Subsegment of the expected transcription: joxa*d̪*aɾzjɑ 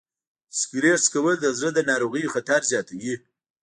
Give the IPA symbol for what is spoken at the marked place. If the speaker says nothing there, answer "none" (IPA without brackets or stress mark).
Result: t̪